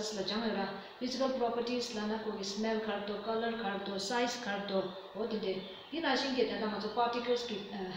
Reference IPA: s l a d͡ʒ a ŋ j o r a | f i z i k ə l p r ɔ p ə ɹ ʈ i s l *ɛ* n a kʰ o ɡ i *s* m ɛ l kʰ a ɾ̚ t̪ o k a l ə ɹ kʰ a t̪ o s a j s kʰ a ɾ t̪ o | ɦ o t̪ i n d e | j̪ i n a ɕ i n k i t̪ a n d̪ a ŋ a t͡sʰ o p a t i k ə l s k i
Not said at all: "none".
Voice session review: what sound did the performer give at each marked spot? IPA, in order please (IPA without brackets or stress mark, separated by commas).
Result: a, s